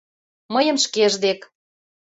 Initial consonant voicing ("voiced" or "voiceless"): voiced